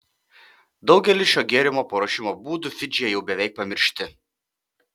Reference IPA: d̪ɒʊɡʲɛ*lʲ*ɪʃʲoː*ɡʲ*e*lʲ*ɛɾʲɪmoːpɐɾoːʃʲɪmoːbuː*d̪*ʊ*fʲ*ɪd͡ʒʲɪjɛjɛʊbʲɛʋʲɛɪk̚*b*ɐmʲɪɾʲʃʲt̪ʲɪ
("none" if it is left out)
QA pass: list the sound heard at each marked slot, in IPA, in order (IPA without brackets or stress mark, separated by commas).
lʲ, ɡʲ, none, d̪, fʲ, p